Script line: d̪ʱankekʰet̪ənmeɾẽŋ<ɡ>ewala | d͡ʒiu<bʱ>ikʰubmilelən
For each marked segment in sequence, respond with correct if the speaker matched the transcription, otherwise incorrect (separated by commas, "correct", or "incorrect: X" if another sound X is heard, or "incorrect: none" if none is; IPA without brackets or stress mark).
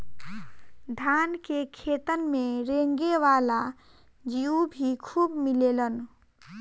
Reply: correct, correct